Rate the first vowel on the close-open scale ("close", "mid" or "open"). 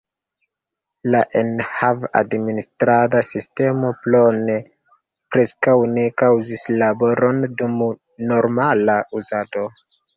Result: open